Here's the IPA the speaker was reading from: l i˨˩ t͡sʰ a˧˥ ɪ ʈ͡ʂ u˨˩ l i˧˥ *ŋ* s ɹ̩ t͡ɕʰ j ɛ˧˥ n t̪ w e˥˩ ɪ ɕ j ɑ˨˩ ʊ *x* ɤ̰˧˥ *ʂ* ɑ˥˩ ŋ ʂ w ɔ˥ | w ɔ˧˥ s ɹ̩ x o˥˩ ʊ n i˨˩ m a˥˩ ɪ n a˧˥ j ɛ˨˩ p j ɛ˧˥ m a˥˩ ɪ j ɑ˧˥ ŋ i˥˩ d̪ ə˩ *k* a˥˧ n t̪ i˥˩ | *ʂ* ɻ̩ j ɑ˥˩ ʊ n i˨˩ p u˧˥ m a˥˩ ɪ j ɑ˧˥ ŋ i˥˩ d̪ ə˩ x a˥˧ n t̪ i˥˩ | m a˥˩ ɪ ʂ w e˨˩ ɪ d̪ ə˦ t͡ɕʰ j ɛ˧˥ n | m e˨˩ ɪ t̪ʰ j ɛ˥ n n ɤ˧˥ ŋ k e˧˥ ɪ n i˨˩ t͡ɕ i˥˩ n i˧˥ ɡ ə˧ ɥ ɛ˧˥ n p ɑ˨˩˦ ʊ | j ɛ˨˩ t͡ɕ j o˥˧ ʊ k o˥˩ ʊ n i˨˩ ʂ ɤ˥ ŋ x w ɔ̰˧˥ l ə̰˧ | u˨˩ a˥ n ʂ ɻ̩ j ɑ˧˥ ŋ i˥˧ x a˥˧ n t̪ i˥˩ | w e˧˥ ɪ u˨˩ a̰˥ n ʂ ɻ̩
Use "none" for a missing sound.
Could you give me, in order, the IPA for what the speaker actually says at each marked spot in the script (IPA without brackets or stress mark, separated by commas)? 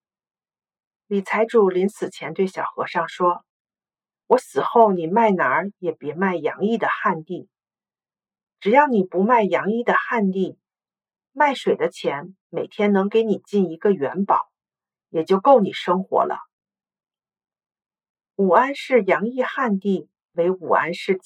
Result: n, x, ʂ, x, ʈ͡ʂ